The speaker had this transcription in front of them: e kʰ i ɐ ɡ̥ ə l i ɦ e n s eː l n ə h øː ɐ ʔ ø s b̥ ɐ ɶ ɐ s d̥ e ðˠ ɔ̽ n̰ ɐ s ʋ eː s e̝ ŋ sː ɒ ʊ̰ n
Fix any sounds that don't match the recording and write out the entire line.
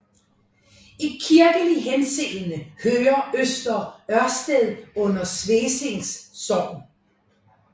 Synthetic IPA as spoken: i kʰ i ɐ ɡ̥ ə l i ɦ e n s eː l n ə h øː ɐ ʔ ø s d̥ ɐ ɶ ɐ s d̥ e ðˠ ɔ̽ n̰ ɐ s ʋ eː s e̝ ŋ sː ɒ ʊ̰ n